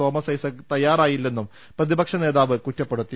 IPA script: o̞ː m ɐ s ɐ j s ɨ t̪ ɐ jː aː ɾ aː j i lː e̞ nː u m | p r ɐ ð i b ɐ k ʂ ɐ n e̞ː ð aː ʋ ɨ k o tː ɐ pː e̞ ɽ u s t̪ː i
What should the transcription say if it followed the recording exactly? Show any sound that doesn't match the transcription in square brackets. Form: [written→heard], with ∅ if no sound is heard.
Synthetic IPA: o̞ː m ɐ s ɐ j s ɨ t̪ ɐ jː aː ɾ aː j i lː e̞ nː u m | p r ɐ ð i b ɐ k ʂ ɐ n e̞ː ð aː ʋ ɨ k [o→u] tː ɐ pː e̞ ɽ u [s→∅] t̪ː i

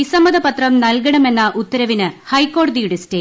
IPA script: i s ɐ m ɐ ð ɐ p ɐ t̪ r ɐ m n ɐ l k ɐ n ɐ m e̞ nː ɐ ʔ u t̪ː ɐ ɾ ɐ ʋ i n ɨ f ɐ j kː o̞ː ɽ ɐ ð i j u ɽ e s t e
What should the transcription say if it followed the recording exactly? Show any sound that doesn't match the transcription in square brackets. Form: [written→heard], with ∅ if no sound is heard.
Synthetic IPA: i s ɐ m ɐ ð ɐ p ɐ t̪ r ɐ m n ɐ l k ɐ [n→ɳ] ɐ m e̞ nː ɐ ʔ u t̪ː ɐ ɾ ɐ ʋ i n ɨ [f→h] ɐ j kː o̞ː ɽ ɐ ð i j u ɽ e s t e

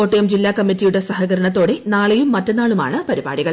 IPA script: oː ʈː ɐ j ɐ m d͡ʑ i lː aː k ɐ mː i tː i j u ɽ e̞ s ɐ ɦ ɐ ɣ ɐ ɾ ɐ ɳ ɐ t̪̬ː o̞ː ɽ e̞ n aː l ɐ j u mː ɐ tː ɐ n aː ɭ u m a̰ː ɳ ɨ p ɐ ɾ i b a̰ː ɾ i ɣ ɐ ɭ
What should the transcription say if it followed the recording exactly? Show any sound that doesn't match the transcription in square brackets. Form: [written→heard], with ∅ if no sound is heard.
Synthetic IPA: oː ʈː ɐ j ɐ m d͡ʑ i lː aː k ɐ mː i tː i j u ɽ e̞ s ɐ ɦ ɐ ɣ ɐ ɾ ɐ ɳ ɐ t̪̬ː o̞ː ɽ e̞ n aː [l→ɭ] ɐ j u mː ɐ tː ɐ n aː ɭ u m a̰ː ɳ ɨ p ɐ ɾ i b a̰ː [ɾ→ɽ] i ɣ ɐ ɭ

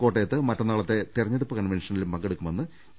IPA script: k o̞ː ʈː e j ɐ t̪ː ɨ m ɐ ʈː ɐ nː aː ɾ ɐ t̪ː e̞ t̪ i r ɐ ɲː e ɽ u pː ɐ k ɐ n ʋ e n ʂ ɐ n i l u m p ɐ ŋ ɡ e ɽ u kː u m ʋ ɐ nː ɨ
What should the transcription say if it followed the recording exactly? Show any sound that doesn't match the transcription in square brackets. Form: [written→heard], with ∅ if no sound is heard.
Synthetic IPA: k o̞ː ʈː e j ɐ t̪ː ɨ m ɐ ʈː ɐ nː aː [ɾ→ɭ] ɐ t̪ː e̞ t̪ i r ɐ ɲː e ɽ u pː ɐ k ɐ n ʋ e n ʂ ɐ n i l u m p ɐ ŋ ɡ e ɽ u kː u m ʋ ɐ nː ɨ

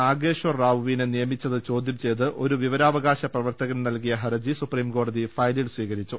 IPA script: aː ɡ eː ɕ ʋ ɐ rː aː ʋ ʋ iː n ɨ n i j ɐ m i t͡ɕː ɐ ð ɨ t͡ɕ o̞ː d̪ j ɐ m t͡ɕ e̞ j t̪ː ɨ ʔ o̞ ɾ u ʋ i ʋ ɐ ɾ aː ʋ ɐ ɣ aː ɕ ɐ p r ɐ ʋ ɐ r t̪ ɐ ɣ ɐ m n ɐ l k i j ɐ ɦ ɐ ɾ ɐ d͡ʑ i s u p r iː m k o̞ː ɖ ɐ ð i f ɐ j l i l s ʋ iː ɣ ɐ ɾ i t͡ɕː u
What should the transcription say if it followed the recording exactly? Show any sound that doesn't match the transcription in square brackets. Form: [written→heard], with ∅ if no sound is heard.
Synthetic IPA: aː ɡ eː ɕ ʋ ɐ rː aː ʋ ʋ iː n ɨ n i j ɐ m i t͡ɕː ɐ ð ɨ t͡ɕ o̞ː d̪ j ɐ m t͡ɕ e̞ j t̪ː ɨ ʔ o̞ ɾ u ʋ i ʋ ɐ ɾ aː ʋ ɐ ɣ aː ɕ ɐ p r ɐ ʋ ɐ r t̪ ɐ ɣ ɐ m n ɐ l k i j ɐ ɦ ɐ ɾ ɐ d͡ʑ i s u p r iː m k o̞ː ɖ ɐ ð i f ɐ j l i l s ʋ iː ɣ ɐ ɾ i t͡ɕː u

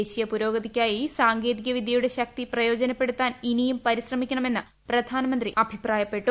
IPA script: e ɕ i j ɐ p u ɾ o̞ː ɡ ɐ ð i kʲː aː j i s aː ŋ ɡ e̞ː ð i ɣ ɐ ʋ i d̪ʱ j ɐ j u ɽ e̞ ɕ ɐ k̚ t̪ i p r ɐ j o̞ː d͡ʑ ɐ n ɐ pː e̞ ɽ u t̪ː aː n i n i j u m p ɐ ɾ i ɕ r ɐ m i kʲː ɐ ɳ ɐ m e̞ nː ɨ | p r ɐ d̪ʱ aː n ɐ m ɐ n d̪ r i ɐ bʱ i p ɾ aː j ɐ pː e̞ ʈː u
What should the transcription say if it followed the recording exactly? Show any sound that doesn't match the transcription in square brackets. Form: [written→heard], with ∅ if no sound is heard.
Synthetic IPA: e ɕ i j ɐ p u ɾ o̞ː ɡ ɐ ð i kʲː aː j i s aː ŋ ɡ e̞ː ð i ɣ ɐ ʋ i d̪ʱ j ɐ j u ɽ e̞ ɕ ɐ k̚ t̪ i p r ɐ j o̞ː d͡ʑ ɐ n ɐ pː e̞ ɽ u t̪ː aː n i n i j u m p ɐ ɾ i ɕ r ɐ m i kʲː ɐ ɳ ɐ m e̞ nː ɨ | p r ɐ d̪ʱ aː n ɐ m ɐ n d̪ r i ɐ bʱ i p [ɾ→r] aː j ɐ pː e̞ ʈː u

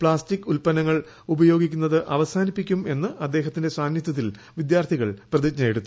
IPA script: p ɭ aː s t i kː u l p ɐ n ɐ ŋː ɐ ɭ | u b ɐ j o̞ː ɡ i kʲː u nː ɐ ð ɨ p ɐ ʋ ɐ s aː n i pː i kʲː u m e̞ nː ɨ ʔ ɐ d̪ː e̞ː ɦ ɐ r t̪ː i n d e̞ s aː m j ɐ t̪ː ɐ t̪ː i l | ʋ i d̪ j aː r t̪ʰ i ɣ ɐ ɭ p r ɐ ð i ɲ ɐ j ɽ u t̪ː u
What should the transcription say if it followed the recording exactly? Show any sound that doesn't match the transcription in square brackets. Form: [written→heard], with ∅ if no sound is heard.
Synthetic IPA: p ɭ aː s t i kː u l p ɐ n ɐ ŋː ɐ ɭ | u b ɐ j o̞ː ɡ i kʲː u nː ɐ ð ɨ [p→ʔ] ɐ ʋ ɐ s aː n i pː i kʲː u m e̞ nː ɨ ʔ ɐ d̪ː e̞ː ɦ ɐ [r→∅] t̪ː i n d e̞ s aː [m→n] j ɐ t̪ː ɐ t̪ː i l | ʋ i d̪ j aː r t̪ʰ i ɣ ɐ ɭ p r ɐ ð i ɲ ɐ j ɽ u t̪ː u

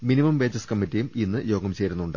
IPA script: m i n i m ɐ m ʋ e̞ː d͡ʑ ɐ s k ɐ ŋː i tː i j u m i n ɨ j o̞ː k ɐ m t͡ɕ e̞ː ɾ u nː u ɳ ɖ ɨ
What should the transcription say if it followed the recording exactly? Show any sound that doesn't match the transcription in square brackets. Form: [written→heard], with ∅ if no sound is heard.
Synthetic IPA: m i n i m ɐ m ʋ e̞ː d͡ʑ ɐ s k ɐ [ŋː→mː] i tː i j u m i [n→nː] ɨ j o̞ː [k→ɡ] ɐ m t͡ɕ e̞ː ɾ u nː u ɳ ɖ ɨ

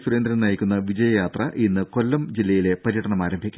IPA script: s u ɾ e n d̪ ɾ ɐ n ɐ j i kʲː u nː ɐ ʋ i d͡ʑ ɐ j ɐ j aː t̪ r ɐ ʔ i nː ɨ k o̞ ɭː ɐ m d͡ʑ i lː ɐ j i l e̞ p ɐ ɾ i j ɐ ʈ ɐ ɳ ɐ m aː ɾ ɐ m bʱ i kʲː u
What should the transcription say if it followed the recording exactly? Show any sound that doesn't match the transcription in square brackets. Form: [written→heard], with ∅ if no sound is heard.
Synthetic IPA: s u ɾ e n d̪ ɾ ɐ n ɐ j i kʲː u nː ɐ ʋ i d͡ʑ ɐ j ɐ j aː t̪ r ɐ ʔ i nː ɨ k o̞ [ɭː→lː] ɐ m d͡ʑ i lː ɐ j i l e̞ p ɐ ɾ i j ɐ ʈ ɐ ɳ ɐ m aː ɾ ɐ m bʱ i kʲː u

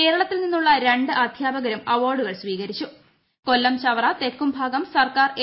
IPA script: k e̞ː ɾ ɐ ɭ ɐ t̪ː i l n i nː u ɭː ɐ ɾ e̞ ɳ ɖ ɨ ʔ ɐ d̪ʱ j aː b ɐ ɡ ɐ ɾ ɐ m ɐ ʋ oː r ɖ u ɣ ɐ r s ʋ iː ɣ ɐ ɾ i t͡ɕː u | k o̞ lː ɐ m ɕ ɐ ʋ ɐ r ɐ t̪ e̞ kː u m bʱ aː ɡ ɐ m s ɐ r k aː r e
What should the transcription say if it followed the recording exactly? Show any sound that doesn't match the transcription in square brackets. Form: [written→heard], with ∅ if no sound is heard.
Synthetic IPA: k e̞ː ɾ ɐ ɭ ɐ t̪ː i l n i nː u ɭː ɐ ɾ e̞ ɳ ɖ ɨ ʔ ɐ d̪ʱ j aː b ɐ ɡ ɐ ɾ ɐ m ɐ ʋ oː r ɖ u ɣ ɐ [r→ɭ] s ʋ iː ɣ ɐ ɾ i t͡ɕː u | k o̞ lː ɐ m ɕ ɐ ʋ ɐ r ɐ t̪ e̞ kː u m bʱ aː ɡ ɐ m s ɐ r k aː r e

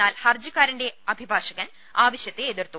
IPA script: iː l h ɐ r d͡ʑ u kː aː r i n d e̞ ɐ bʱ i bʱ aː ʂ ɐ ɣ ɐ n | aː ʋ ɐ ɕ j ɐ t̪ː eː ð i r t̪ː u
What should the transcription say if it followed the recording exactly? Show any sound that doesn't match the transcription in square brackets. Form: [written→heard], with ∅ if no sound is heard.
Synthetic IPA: [iː→aː] l h ɐ r d͡ʑ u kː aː [r→ɾ] i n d e̞ ɐ bʱ i bʱ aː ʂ ɐ ɣ ɐ n | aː ʋ ɐ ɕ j ɐ t̪ː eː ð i r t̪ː u

